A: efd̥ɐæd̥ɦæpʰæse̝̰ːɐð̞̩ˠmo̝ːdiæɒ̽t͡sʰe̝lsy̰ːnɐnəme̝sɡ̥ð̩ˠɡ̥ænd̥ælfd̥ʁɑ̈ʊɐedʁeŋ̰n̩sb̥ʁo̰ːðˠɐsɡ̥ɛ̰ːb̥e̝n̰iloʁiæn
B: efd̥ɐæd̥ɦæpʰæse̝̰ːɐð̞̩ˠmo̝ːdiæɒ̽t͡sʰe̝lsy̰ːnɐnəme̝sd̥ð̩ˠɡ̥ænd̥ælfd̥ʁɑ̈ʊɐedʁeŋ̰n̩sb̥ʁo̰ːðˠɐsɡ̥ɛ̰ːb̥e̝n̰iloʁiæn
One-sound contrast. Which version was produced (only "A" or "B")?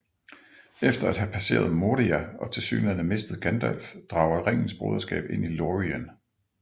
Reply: B